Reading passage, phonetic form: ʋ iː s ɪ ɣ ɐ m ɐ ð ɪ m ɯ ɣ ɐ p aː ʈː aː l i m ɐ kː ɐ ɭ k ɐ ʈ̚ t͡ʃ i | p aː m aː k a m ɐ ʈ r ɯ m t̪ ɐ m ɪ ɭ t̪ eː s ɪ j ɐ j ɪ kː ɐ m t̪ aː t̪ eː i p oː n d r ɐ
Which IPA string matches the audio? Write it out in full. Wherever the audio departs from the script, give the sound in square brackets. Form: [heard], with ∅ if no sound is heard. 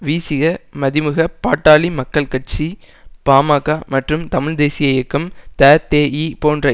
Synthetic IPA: ʋ iː s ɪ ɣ ɐ m ɐ ð ɪ m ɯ ɣ ɐ p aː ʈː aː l i m ɐ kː ɐ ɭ k ɐ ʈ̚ t͡ʃ i | p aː m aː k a m ɐ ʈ r ɯ m t̪ ɐ m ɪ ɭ [d̪] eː s ɪ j ɐ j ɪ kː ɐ m t̪ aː t̪ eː i p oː n d r ɐ